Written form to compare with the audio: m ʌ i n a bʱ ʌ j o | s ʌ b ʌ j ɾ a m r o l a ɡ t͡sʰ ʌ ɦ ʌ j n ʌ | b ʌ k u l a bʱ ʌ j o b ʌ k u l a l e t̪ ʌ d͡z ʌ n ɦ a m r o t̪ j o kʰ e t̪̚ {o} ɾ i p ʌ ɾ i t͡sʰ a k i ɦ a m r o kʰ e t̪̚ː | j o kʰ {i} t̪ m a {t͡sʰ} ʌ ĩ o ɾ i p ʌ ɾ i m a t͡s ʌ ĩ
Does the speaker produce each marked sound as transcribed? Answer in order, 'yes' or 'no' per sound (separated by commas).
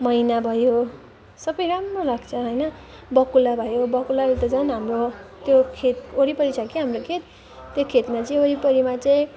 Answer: yes, no, no